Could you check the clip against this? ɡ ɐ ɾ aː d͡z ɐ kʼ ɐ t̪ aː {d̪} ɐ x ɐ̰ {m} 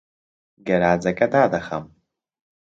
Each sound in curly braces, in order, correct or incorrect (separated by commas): correct, correct